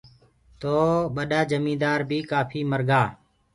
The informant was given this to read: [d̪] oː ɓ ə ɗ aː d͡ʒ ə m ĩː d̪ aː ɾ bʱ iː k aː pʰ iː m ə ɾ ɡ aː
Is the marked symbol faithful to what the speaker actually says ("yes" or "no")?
no